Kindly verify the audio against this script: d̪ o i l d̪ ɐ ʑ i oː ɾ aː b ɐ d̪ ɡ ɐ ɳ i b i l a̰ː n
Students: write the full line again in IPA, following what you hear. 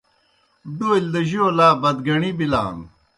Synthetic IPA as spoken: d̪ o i l d̪ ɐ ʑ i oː l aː b ɐ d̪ ɡ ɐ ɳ i b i l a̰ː n